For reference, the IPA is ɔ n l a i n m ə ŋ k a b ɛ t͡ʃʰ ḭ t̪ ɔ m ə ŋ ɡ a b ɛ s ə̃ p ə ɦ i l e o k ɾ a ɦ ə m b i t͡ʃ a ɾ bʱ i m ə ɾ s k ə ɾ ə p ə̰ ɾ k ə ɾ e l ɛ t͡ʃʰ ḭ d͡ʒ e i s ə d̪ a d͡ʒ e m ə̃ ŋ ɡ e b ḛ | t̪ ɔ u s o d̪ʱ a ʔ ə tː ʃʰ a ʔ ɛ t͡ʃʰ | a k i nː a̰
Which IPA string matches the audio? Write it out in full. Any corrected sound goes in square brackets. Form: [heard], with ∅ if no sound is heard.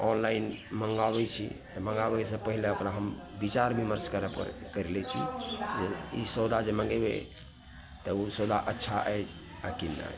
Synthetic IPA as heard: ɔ n l a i n m ə ŋ [ɡ] a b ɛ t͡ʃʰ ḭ t̪ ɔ m ə ŋ ɡ a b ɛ s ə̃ p ə ɦ i l e o k ɾ a ɦ ə m b i t͡ʃ a ɾ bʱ i m ə ɾ s k ə ɾ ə p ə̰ ɾ k ə ɾ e l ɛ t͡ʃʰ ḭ d͡ʒ e i s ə d̪ a d͡ʒ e m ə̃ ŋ ɡ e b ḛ | t̪ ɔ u s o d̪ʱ a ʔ ə tː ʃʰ a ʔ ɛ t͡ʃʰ | a k i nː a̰